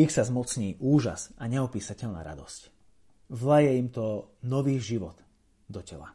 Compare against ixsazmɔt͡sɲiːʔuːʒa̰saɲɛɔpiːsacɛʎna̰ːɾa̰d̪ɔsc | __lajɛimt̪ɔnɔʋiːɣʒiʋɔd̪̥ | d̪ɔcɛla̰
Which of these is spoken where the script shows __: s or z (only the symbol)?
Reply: z